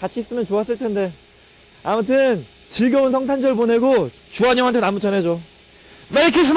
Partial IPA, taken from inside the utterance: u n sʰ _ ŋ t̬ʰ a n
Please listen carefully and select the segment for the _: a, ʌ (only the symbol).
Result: ʌ